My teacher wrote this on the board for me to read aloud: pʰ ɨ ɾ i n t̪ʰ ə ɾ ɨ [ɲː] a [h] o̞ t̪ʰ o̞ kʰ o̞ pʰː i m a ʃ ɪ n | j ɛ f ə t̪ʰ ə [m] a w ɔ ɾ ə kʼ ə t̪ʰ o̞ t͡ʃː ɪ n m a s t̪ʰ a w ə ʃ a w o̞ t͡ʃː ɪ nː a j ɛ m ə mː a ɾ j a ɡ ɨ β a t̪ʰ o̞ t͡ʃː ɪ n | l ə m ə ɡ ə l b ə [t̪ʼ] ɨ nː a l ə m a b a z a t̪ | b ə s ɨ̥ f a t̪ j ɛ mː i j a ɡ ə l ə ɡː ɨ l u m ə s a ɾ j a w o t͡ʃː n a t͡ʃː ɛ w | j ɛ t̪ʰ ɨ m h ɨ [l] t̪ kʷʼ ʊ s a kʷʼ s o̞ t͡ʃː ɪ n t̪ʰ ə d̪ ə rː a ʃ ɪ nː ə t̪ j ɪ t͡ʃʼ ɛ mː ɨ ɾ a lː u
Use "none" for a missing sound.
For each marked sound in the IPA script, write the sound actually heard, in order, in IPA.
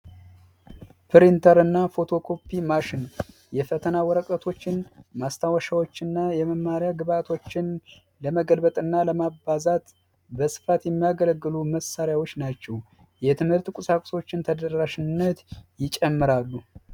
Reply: nː, f, n, t̪ʼ, ɾ

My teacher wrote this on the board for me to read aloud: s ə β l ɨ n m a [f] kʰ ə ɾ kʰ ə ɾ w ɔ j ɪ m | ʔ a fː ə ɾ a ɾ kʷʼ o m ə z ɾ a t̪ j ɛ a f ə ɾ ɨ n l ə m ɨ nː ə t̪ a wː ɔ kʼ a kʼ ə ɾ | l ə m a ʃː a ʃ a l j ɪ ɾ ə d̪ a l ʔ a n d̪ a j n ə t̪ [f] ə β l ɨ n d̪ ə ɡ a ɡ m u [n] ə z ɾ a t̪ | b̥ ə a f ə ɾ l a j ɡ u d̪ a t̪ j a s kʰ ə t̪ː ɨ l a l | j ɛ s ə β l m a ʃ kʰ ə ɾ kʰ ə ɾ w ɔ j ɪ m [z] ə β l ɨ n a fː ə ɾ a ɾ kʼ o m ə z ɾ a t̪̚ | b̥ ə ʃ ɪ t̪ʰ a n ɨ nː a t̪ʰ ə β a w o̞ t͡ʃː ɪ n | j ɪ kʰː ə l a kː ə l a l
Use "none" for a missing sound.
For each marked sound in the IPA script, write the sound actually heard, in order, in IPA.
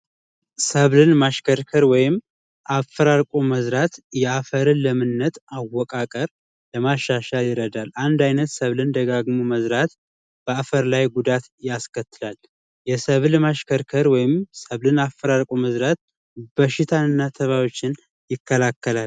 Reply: ʃ, s, m, s

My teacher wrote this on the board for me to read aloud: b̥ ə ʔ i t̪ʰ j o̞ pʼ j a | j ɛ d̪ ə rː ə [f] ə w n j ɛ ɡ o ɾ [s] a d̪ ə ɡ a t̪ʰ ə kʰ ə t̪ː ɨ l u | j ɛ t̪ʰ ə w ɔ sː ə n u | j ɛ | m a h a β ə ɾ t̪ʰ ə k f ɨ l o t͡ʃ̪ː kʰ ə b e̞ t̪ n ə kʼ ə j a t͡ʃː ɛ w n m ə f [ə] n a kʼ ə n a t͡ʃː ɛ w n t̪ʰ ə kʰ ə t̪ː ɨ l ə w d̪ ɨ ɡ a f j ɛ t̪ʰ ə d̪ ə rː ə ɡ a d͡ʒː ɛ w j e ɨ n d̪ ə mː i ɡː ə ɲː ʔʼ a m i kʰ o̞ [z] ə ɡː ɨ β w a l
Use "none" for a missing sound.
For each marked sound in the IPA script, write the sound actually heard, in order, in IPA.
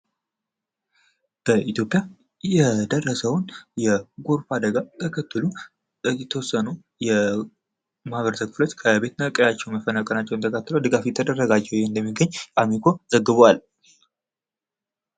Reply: s, f, ə, z

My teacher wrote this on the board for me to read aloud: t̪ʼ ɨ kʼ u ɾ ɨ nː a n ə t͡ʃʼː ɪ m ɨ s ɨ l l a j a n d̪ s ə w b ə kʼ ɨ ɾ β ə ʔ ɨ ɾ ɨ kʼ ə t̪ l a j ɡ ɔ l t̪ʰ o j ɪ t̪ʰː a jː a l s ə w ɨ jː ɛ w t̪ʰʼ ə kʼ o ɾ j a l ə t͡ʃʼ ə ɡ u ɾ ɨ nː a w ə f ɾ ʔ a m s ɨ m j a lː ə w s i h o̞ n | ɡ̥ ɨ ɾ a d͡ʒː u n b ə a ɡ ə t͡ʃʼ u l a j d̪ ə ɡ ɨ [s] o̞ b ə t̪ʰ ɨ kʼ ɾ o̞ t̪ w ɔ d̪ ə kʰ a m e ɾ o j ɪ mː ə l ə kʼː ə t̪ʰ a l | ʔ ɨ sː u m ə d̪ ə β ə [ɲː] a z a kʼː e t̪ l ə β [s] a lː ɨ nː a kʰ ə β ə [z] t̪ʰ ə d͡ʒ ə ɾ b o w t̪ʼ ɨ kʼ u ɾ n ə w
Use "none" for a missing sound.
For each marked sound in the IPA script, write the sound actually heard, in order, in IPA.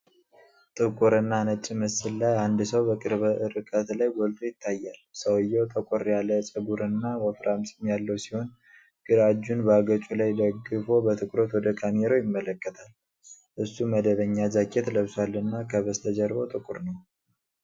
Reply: f, ɲː, s, s

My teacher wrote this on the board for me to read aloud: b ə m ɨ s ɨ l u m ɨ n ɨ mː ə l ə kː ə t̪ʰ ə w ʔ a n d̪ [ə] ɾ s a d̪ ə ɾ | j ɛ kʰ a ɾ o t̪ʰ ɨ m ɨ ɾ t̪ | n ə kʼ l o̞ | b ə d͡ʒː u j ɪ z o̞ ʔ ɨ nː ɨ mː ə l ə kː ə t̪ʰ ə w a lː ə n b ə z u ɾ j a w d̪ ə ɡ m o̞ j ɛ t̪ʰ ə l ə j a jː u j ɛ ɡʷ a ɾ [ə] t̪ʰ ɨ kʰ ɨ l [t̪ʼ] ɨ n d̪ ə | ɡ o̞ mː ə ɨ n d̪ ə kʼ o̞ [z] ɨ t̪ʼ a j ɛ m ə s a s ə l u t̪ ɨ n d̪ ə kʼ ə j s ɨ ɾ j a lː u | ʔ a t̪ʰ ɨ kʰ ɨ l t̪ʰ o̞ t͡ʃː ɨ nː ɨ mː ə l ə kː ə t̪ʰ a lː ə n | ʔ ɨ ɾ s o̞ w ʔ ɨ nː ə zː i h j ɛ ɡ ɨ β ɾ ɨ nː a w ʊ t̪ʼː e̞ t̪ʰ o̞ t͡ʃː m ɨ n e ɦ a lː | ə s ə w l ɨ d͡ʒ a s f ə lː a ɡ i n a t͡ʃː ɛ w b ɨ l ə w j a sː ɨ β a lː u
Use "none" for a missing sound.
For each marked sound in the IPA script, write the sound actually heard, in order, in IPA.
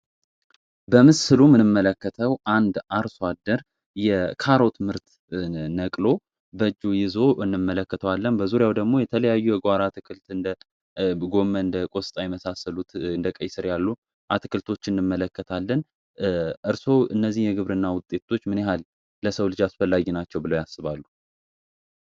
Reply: a, a, t̪, s

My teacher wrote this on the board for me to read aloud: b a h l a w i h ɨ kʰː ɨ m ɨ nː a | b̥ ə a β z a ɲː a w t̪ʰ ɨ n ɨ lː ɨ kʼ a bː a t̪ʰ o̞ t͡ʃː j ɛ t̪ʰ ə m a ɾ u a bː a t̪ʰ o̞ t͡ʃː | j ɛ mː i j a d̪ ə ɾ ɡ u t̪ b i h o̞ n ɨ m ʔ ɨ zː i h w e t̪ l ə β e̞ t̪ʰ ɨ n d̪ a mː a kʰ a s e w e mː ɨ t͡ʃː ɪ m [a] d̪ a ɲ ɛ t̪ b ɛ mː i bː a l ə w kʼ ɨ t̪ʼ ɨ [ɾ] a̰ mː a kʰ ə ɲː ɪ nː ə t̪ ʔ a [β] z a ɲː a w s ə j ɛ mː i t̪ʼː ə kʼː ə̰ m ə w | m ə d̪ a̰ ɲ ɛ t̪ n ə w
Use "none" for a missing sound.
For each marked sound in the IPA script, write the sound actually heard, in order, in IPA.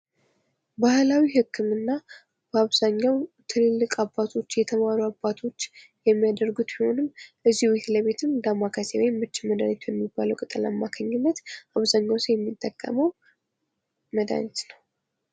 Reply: ə, l, β

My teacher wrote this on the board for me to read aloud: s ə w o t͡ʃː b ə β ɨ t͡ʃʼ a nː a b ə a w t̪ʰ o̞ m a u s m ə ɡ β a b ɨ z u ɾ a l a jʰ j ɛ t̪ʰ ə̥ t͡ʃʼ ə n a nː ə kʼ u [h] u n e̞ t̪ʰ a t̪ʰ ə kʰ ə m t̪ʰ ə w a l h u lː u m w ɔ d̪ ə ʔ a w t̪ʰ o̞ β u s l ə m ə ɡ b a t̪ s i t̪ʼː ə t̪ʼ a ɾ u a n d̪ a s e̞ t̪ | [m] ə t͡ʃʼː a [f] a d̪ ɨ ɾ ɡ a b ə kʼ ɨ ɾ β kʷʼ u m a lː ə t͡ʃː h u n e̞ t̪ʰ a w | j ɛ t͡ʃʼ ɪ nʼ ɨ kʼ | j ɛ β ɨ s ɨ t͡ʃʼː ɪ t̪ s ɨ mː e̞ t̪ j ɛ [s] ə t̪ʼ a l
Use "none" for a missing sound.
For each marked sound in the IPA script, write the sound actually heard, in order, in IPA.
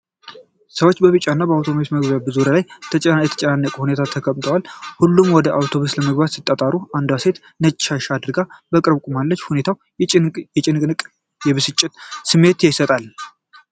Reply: h, n, ʃ, s

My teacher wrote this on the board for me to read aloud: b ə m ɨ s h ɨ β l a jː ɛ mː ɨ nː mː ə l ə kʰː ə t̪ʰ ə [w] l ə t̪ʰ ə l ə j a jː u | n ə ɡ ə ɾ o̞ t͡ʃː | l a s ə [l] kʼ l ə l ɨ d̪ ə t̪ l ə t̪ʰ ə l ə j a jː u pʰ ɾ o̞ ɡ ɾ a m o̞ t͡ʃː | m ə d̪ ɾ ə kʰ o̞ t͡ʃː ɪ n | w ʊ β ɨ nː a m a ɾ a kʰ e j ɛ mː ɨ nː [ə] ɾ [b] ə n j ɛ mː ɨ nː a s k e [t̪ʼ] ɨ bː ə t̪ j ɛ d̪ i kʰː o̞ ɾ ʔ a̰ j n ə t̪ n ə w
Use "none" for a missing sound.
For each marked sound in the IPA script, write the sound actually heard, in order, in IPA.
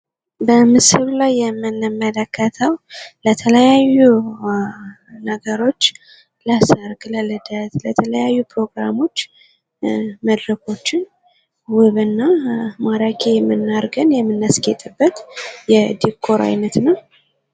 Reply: w, ɾ, a, ɡ, t̪ʼ

